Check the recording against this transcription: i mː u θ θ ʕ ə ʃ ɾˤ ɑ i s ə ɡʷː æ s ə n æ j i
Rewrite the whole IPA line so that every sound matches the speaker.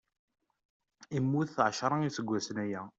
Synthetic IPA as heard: i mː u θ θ ʕ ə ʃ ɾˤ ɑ i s ə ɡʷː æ s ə n æ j æ